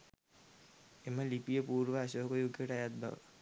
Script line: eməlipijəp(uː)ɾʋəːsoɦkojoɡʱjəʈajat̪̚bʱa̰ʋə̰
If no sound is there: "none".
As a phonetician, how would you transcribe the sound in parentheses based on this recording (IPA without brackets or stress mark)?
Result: uː